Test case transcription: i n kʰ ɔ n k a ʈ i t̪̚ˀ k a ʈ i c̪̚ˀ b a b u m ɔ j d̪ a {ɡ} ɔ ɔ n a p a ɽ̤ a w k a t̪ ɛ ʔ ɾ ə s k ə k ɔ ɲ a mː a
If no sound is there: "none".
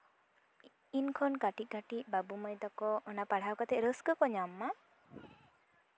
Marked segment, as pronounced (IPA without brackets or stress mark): k